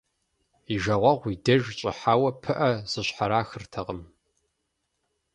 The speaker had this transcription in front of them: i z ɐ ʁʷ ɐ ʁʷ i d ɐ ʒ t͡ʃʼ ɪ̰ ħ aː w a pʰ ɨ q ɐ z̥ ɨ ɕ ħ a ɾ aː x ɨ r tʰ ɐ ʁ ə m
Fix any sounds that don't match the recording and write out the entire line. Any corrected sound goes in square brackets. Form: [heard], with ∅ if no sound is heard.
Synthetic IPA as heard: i [ʒ] ɐ ʁʷ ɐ ʁʷ i d ɐ ʒ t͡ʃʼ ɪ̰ ħ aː w [ɐ] pʰ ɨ [ʔ] ɐ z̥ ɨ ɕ ħ a ɾ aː x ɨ r tʰ ɐ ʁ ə m